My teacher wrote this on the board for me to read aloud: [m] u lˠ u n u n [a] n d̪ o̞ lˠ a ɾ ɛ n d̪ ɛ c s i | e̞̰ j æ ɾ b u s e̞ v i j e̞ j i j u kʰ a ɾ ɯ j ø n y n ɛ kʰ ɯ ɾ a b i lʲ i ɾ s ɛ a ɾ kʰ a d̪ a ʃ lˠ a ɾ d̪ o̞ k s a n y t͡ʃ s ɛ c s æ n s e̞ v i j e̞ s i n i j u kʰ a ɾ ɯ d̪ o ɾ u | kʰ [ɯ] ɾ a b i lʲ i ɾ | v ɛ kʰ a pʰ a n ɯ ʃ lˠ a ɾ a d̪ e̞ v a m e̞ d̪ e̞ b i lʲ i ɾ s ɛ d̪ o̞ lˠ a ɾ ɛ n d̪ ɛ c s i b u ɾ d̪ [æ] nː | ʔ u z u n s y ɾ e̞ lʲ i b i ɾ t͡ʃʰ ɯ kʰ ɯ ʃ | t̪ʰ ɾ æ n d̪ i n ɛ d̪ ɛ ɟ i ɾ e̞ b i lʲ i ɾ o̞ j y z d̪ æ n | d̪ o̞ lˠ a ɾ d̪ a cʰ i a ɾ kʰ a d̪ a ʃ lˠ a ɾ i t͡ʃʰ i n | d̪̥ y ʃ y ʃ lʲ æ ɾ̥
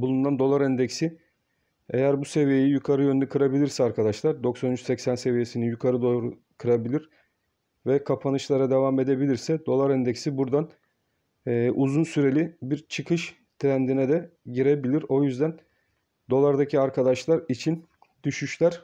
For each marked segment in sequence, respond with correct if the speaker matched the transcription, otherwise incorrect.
incorrect: b, correct, correct, incorrect: a

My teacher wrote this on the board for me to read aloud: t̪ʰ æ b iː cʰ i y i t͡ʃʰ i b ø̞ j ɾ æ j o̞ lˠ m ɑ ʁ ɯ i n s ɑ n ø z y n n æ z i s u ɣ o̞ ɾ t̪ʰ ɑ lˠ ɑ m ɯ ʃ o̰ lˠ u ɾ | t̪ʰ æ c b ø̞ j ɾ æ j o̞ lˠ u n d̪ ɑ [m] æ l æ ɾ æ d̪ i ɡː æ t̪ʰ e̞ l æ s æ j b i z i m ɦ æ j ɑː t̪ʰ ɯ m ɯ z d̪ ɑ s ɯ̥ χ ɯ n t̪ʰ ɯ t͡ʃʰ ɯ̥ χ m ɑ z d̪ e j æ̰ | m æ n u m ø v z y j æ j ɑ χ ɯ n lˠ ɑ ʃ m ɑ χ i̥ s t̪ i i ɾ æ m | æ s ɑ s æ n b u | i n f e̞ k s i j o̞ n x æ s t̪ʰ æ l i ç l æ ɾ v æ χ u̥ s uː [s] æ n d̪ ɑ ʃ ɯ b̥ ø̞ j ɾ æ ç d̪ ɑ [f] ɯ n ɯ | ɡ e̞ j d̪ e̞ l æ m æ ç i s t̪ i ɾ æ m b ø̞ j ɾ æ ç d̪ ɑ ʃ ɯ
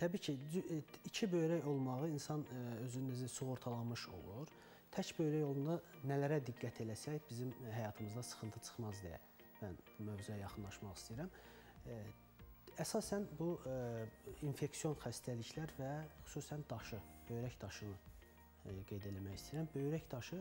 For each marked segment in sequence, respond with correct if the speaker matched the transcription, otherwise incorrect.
incorrect: n, correct, incorrect: ʃ

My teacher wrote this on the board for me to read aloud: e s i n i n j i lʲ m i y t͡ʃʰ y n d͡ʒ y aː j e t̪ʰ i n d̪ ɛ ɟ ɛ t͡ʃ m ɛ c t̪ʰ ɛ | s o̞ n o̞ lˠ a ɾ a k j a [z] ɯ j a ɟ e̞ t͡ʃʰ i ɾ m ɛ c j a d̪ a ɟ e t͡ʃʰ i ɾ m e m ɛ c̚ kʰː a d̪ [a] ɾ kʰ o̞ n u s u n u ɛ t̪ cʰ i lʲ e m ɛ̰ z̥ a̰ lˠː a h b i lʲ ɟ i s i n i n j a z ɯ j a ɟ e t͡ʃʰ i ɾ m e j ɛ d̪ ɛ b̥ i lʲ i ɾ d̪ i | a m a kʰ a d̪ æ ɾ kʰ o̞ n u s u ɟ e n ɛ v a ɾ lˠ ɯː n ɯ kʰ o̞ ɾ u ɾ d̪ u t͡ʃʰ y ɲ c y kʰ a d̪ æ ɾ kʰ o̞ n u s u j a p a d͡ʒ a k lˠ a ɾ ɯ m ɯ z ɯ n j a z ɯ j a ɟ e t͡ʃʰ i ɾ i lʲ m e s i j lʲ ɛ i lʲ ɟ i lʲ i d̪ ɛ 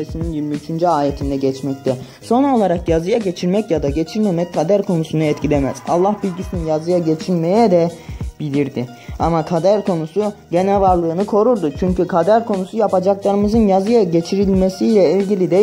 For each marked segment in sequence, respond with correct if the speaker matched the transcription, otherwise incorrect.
correct, incorrect: æ

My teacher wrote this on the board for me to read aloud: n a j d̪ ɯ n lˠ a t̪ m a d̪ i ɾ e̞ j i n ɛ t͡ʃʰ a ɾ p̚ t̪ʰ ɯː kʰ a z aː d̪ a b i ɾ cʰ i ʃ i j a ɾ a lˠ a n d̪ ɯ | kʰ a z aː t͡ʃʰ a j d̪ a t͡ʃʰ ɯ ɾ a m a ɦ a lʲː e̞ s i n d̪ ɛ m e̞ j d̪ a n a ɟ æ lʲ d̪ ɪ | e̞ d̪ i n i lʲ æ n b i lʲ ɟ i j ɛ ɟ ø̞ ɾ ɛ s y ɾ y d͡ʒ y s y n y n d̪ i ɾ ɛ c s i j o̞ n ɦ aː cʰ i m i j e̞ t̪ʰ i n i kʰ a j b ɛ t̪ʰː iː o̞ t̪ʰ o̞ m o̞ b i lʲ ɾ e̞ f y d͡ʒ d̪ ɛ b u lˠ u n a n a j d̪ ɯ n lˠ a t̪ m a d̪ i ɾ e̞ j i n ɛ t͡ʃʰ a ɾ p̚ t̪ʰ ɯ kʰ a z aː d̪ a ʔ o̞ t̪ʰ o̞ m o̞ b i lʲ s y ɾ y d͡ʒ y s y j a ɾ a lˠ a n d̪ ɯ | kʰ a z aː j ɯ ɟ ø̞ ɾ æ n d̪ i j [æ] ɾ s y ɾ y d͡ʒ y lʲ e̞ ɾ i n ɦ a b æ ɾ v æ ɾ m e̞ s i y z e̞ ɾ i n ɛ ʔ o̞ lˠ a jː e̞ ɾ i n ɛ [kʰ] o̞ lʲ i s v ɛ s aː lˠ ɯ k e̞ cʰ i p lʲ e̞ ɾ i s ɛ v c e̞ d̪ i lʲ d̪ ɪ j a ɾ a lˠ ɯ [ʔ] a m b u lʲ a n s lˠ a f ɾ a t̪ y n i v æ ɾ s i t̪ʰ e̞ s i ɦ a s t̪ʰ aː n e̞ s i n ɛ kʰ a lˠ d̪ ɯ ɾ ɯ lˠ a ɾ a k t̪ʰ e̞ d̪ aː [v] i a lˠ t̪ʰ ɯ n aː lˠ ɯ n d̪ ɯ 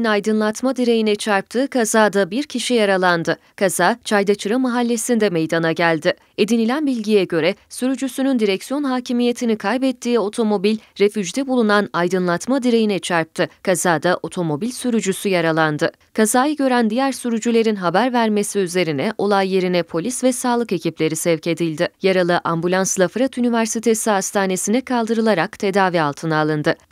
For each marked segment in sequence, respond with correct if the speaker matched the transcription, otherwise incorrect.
correct, incorrect: pʰ, correct, correct

